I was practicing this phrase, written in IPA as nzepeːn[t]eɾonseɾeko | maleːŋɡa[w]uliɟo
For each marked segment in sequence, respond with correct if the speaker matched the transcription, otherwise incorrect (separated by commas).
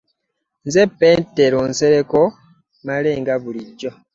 correct, incorrect